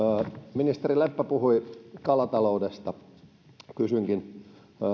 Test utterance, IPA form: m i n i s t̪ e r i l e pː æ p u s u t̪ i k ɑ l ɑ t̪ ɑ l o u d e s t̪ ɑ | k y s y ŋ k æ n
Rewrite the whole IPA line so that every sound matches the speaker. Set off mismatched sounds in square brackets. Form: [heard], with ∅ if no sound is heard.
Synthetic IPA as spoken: m i n i s t̪ e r i l e pː æ p u [h] u [∅] i k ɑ l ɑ t̪ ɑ l o u d e s t̪ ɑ | k y s y ŋ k [i] n